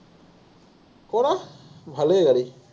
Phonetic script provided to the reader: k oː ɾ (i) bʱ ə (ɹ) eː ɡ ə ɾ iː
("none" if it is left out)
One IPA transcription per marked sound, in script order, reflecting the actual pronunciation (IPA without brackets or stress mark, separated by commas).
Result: a, l